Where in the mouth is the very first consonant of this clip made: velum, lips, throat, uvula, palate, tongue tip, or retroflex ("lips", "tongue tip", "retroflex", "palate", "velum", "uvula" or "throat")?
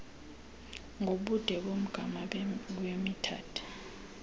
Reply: velum